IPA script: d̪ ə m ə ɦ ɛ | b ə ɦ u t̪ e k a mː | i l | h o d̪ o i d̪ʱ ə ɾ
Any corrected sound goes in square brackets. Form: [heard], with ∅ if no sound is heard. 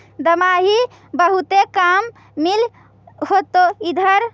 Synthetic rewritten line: d̪ ə m [a] ɦ [i] | b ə ɦ u t̪ e k a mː | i l | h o [t̪] o i d̪ʱ ə ɾ